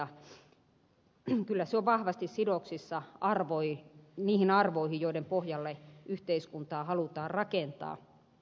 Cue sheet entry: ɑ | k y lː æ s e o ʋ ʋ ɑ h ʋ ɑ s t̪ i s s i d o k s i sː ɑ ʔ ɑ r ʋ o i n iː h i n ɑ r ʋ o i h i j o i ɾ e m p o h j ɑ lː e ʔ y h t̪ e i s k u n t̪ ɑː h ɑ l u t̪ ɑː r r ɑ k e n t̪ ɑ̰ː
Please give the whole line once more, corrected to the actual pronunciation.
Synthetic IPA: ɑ | k y lː æ s e o ʋ ʋ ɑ h ʋ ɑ s t̪ i s s i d o k s i sː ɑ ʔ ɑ r ʋ o i n iː h i n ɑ r ʋ o i h i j o i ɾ e m p o h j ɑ lː e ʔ y h t̪ e i s k u n t̪ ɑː h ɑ l u t̪ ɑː r r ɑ k e n t̪ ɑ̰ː